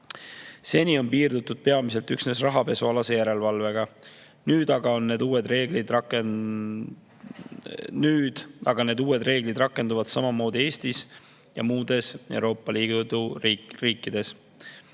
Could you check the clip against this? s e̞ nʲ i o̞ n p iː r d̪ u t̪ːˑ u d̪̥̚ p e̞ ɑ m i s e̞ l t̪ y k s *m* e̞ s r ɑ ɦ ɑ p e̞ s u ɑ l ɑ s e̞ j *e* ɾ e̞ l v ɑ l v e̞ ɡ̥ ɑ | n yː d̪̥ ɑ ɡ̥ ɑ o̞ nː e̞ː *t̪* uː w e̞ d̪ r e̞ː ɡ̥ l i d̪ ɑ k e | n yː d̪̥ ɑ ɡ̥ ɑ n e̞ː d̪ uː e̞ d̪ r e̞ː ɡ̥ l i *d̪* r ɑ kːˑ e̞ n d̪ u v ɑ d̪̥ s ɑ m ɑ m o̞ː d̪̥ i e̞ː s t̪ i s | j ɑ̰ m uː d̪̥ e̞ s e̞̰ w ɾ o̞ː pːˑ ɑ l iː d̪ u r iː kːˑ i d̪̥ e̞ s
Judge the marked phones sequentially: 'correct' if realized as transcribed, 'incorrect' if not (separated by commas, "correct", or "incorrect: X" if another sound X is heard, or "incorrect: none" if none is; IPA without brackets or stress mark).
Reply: incorrect: n, incorrect: æ, incorrect: d̪, correct